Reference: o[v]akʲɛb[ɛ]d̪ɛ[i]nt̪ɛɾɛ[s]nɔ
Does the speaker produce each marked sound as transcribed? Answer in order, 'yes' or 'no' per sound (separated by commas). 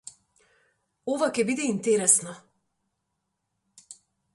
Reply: yes, no, yes, yes